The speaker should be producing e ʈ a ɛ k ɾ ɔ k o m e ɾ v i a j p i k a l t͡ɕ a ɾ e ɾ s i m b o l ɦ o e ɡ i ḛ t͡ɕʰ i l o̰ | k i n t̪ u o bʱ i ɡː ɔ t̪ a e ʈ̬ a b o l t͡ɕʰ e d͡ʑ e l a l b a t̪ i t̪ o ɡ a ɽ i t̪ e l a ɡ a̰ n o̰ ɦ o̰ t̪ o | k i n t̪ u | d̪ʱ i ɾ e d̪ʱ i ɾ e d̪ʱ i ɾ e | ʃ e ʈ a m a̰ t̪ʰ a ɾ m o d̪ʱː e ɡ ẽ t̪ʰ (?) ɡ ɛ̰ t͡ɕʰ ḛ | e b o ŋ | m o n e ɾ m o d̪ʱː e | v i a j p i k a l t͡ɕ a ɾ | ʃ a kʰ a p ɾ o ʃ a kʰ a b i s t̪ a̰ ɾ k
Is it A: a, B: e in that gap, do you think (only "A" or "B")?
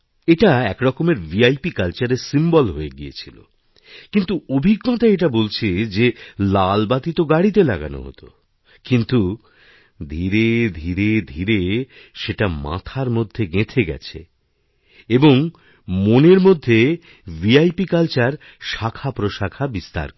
B